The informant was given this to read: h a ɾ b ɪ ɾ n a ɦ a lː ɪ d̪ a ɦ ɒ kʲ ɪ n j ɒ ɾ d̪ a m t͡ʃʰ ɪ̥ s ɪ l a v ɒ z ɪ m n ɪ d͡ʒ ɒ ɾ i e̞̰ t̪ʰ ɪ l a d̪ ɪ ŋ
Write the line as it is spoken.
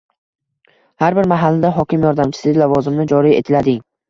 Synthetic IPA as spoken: h a ɾ b ɪ ɾ m a ɦ a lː ɪ d̪ a ɦ ɒ kʲ ɪ m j ɒ ɾ d̪ a m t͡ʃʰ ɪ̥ s ɪ l a v ɒ z ɪ m n ɪ d͡ʒ ɒ ɾ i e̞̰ t̪ʰ ɪ l a d̪ ɪ ŋ